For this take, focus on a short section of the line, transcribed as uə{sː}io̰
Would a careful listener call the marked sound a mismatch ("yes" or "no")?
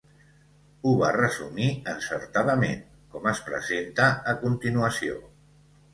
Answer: yes